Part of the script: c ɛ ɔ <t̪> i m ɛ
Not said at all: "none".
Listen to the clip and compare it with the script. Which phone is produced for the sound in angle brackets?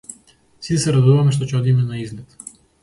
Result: d̪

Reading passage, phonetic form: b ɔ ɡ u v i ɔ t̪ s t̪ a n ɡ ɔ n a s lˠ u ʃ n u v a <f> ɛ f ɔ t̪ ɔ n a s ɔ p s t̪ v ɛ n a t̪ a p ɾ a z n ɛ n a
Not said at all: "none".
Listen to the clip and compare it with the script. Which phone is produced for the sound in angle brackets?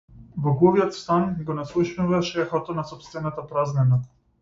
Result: ʃ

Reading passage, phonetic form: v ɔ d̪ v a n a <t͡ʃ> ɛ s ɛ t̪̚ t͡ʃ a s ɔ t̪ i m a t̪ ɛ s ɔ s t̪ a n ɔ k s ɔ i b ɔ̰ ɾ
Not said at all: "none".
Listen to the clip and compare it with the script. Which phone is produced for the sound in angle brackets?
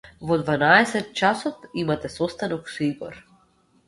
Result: none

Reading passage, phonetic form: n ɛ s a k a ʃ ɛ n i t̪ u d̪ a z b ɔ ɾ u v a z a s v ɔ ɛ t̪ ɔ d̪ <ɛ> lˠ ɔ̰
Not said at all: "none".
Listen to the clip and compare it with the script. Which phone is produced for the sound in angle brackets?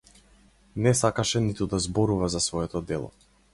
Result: ɛ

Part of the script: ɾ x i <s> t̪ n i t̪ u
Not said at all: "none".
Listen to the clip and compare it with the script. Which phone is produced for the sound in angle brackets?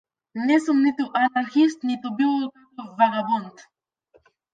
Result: s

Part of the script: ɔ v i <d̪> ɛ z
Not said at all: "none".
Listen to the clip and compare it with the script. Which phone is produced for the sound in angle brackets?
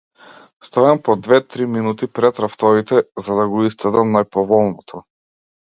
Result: t̪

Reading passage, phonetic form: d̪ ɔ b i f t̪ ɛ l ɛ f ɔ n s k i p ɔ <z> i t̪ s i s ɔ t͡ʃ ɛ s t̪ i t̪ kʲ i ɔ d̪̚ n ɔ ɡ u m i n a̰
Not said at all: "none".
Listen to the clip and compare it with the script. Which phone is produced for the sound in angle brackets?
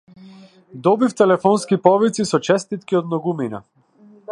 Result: v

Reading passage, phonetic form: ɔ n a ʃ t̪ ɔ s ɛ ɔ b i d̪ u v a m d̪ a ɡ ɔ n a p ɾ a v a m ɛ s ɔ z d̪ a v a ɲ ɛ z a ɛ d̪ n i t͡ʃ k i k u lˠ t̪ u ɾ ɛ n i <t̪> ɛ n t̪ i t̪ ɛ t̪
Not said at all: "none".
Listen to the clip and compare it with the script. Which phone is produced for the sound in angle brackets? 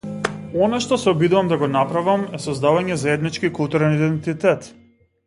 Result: d̪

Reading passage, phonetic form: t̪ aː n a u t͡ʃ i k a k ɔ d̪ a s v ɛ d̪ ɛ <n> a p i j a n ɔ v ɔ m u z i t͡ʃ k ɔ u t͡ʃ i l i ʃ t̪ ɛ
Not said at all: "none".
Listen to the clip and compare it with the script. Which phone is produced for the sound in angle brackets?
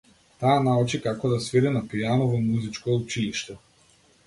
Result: n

